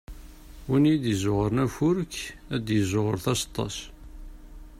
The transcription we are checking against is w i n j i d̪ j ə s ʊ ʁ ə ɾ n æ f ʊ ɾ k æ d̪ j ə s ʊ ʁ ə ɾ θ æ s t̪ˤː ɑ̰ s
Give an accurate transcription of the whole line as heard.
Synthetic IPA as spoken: w i n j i d̪ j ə z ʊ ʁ ə ɾ n æ f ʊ ɾ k æ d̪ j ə z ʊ ʁ ə ɾ θ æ s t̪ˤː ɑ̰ s